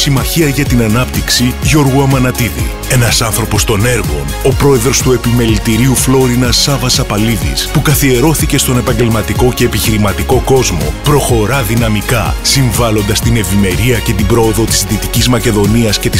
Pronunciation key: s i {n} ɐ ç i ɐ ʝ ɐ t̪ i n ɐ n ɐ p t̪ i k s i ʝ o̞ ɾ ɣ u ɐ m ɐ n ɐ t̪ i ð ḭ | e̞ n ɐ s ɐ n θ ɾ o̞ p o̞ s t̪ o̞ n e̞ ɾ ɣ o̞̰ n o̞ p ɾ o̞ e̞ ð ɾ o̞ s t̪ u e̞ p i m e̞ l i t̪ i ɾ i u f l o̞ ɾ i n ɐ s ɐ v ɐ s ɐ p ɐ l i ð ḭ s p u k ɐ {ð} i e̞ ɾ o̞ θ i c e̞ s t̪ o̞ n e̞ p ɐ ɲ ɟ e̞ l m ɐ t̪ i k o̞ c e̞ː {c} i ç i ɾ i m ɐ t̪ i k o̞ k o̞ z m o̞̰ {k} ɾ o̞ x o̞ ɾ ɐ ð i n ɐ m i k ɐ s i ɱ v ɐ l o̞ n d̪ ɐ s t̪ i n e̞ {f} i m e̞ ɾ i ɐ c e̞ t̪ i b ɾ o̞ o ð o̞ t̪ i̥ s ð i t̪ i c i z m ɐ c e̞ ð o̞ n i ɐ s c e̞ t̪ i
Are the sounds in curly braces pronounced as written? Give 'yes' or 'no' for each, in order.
no, no, no, no, no

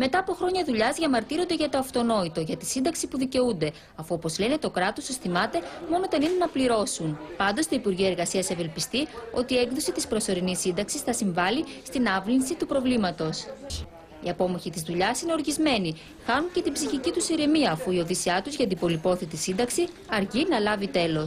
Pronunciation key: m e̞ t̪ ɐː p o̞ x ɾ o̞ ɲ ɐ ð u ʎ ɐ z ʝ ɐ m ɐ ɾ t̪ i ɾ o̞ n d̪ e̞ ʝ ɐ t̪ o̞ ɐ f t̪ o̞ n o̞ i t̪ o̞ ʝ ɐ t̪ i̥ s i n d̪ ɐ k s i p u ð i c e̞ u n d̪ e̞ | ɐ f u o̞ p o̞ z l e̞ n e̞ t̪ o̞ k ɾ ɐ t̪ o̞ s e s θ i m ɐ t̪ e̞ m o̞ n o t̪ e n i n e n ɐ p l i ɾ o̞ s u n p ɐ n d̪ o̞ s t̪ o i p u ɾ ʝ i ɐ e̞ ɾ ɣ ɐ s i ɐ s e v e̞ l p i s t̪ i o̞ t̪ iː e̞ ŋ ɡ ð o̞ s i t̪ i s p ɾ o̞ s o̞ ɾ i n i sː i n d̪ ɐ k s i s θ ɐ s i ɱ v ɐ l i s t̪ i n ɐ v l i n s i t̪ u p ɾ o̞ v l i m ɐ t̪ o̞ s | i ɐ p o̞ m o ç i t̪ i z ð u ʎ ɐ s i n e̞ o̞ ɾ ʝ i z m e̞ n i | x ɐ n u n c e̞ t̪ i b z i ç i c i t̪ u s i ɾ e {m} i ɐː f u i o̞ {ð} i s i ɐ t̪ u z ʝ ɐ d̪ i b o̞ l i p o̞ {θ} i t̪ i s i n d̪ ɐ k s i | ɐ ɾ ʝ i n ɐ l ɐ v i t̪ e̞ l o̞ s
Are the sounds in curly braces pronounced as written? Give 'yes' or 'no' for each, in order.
yes, yes, yes

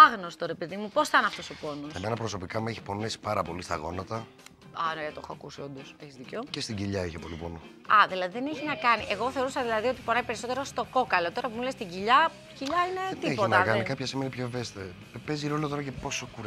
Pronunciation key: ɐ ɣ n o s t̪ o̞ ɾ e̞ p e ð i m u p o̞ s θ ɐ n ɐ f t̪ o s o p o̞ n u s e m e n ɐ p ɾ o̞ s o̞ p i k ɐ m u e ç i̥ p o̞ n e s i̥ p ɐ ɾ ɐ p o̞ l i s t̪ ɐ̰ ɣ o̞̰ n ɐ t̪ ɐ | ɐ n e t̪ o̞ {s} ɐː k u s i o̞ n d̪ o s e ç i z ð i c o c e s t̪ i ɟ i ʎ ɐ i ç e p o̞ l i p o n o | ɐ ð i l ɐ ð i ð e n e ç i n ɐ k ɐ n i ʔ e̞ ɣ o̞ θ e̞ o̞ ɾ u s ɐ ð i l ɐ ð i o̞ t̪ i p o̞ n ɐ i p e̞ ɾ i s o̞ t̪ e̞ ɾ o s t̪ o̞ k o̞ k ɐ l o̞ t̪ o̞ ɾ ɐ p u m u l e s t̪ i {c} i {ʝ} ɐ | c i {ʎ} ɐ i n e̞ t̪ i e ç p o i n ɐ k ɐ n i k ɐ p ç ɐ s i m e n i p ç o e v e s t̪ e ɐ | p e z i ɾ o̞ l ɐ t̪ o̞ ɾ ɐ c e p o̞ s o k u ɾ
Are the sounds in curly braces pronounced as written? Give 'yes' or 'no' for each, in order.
no, no, no, yes

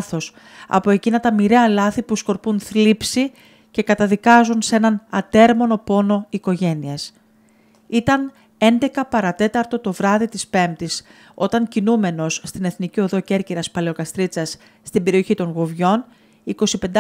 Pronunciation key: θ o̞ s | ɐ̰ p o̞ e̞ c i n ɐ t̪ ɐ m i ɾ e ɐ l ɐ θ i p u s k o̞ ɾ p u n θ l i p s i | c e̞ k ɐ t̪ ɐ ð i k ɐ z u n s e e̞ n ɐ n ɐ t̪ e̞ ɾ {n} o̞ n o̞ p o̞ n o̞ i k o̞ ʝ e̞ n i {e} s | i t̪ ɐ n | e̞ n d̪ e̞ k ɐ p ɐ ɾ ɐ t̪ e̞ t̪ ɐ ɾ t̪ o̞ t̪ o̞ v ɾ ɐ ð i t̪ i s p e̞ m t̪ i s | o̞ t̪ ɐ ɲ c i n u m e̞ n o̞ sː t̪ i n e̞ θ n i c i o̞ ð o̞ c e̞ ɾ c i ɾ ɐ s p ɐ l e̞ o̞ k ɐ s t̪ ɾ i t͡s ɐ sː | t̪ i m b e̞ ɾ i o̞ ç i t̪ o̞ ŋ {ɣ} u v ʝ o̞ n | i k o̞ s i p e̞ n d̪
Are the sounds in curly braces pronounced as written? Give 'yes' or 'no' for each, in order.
no, yes, yes

